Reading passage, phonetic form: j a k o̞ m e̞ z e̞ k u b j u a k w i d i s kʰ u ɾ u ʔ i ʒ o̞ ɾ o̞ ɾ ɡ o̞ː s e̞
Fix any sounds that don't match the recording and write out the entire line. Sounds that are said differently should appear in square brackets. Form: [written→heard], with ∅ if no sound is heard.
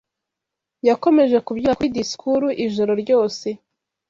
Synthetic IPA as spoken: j a k o̞ m e̞ [z→ʒ] e̞ k u b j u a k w i d i s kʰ u ɾ u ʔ i ʒ o̞ ɾ o̞ ɾ [ɡ→ɟ] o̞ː s e̞